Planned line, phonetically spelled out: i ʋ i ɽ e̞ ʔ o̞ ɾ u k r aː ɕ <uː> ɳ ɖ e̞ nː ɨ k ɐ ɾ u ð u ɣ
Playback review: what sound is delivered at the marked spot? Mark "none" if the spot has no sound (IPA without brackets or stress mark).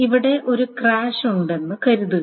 u